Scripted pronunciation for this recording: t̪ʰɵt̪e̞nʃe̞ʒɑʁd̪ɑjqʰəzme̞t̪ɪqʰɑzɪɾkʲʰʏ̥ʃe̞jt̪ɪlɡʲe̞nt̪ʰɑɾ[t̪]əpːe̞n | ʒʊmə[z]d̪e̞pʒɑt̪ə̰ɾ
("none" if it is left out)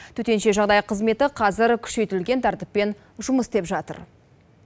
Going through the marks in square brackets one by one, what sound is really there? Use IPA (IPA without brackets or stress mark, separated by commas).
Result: t̪, s